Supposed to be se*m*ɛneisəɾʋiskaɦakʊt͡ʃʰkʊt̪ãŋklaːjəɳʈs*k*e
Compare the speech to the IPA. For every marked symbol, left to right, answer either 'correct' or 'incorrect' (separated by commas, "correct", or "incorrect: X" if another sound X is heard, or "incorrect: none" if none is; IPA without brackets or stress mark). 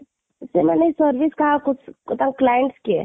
correct, correct